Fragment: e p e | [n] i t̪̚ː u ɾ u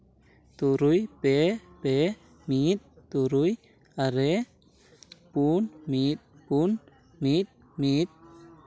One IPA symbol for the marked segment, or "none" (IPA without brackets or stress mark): m